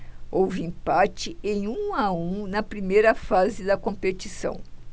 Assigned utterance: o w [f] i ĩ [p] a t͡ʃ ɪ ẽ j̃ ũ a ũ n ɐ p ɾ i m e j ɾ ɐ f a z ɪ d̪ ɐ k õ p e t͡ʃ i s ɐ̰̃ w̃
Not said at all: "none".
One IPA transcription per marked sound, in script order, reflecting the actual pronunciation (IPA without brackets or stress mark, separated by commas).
v, p